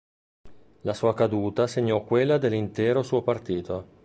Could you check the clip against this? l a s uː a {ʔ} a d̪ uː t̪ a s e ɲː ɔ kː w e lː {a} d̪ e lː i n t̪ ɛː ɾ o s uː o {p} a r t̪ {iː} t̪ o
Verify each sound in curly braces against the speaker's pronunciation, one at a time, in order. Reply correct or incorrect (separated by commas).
incorrect, correct, correct, correct